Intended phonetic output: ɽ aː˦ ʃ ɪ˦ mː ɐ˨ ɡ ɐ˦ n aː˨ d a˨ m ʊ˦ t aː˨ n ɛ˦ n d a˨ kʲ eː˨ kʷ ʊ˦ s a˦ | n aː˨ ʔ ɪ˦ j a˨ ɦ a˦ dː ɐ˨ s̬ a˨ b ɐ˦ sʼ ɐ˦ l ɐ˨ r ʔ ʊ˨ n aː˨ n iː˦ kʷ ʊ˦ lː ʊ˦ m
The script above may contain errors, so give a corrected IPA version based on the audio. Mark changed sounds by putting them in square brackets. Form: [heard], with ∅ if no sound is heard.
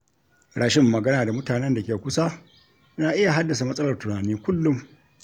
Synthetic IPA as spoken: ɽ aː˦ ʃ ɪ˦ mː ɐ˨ ɡ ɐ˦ n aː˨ d a˨ m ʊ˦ t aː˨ n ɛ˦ n d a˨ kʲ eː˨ kʷ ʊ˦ s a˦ | n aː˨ ʔ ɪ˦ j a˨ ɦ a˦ dː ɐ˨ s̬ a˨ [m] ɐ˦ sʼ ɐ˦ l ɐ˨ r [t] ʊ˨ n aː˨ n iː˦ kʷ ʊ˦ lː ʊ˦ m